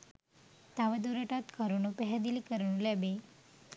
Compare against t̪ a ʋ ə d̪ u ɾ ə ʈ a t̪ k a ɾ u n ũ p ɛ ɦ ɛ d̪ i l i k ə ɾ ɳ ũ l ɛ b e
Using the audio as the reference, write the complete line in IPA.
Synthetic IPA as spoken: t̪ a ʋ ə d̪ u ɾ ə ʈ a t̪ k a ɾ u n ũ p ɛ ɦ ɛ d̪ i l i k ə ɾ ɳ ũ l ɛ b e